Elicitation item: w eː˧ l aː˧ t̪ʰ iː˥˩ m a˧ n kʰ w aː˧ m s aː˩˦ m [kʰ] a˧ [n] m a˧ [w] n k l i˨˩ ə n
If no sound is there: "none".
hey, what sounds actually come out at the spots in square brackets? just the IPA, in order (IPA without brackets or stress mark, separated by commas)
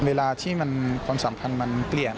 pʰ, n, none